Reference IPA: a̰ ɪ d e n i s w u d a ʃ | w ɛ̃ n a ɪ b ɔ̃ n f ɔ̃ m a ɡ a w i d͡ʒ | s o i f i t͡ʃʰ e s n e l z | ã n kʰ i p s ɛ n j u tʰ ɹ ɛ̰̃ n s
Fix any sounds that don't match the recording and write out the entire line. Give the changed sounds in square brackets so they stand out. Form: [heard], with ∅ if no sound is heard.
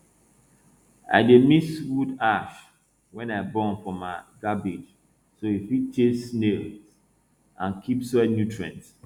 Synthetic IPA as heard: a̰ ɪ d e [m] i s w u d a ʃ | w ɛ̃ n a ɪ b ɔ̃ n f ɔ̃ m a ɡ a [b] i d͡ʒ | s o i f i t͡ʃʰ e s n e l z | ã n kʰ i p s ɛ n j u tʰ ɹ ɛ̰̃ n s